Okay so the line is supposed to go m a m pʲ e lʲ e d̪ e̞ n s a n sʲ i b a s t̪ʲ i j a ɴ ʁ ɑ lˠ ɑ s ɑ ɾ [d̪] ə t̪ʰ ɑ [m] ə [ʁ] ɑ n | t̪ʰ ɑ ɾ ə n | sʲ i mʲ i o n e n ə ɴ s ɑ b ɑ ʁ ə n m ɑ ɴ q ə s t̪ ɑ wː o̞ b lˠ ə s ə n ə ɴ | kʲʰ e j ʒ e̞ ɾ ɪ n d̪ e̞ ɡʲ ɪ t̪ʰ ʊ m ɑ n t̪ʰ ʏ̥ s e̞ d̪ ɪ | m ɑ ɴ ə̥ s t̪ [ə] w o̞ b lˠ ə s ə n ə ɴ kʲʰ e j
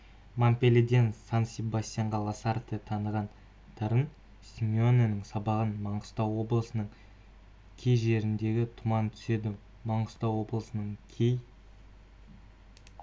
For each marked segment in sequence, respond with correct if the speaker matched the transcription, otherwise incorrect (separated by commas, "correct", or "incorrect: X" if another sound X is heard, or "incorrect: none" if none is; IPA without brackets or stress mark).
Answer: incorrect: t̪, incorrect: n, correct, incorrect: ɑ